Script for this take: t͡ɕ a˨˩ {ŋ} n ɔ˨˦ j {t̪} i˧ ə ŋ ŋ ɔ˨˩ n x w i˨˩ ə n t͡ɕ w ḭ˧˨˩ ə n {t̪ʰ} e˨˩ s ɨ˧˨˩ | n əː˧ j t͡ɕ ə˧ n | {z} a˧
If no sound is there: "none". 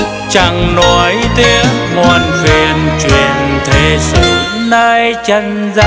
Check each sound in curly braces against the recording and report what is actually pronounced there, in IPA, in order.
ŋ, t̪, t̪ʰ, z

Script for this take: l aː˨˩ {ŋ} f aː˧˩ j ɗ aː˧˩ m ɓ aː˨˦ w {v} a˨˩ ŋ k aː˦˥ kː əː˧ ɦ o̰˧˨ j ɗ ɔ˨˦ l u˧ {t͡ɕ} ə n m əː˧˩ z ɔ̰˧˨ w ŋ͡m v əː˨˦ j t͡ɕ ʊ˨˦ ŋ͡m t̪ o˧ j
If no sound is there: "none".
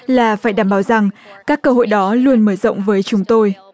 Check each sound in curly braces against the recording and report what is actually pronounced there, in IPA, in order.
none, z, none

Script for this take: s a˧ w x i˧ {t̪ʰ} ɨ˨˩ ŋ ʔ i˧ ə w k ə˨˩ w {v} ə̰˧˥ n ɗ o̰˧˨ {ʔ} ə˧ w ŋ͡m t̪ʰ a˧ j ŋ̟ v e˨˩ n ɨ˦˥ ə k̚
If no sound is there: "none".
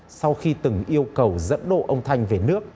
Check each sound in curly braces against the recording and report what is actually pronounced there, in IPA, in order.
t̪, z, ʔ

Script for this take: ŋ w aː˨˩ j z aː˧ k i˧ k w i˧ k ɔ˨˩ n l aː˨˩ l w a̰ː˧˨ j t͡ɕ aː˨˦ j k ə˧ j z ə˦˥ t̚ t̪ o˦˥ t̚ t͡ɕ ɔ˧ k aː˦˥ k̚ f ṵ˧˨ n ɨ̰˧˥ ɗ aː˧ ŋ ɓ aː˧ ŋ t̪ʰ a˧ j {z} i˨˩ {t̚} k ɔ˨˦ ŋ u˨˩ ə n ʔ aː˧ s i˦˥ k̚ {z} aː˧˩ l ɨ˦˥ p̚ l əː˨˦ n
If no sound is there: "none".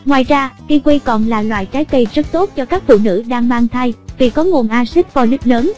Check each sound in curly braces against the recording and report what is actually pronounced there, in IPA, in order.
v, none, v

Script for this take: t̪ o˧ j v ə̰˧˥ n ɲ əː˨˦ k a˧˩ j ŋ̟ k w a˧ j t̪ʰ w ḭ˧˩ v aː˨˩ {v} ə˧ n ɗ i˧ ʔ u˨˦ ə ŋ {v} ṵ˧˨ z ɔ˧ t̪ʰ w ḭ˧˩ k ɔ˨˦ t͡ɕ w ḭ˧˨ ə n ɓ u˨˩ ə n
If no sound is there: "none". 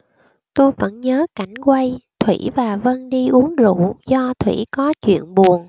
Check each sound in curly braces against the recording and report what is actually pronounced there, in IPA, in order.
v, z

